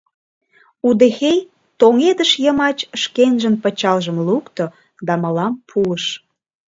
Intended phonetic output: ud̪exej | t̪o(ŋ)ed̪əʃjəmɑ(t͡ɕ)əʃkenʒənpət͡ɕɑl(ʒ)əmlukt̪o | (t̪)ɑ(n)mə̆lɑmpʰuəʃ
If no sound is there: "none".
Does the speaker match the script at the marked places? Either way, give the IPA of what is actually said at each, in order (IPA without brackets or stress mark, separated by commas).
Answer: ŋ, t͡ɕ, ʒ, d̪, none